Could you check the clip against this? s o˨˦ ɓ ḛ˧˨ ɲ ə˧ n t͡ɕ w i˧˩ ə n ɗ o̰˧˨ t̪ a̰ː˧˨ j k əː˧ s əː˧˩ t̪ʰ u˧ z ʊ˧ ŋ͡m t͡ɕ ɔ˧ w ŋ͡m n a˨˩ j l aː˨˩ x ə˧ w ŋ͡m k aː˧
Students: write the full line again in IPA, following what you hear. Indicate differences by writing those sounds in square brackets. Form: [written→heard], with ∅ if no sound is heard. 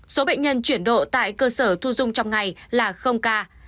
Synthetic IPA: s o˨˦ ɓ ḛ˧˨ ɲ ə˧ n t͡ɕ w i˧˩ ə n ɗ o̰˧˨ t̪ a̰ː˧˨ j k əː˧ s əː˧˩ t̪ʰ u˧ z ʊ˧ ŋ͡m t͡ɕ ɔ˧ w ŋ͡m [n→ŋ] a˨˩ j l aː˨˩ x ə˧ w ŋ͡m k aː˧